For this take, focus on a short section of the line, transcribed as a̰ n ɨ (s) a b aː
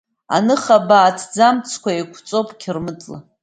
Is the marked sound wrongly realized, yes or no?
yes